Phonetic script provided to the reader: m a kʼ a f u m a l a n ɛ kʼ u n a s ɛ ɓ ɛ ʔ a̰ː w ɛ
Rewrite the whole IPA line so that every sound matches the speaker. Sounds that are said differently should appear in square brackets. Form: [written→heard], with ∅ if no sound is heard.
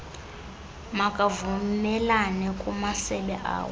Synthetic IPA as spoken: m a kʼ a [f→v] u m [a→ɛ] l a n ɛ kʼ u [n→m] a s ɛ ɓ ɛ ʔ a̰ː w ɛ